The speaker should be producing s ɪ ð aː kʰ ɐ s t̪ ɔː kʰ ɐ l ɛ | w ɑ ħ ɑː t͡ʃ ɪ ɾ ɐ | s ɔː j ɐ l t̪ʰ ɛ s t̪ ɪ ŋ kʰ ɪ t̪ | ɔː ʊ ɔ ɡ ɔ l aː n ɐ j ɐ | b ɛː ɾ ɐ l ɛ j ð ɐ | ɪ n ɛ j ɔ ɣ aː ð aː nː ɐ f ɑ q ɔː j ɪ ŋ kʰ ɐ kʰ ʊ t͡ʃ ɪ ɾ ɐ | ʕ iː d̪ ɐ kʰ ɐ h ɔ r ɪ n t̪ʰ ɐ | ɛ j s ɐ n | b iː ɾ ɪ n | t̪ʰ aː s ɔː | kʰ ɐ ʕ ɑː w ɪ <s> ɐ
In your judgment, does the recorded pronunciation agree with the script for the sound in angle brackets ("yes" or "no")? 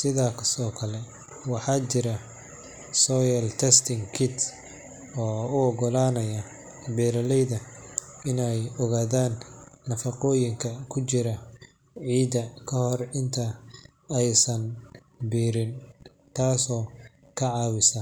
yes